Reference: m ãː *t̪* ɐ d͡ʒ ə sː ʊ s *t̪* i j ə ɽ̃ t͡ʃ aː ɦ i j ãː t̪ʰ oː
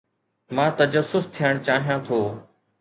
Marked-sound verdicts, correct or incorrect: correct, incorrect: t̪ʰ

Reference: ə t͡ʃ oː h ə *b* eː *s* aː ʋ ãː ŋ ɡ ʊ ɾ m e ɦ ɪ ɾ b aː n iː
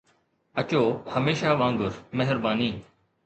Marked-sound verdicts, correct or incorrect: incorrect: m, incorrect: ʃ

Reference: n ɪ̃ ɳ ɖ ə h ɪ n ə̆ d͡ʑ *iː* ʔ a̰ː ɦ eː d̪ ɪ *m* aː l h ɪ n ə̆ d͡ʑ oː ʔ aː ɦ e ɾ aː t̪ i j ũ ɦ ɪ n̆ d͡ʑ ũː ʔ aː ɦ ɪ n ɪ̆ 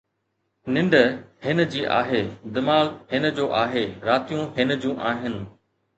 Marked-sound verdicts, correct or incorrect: correct, correct

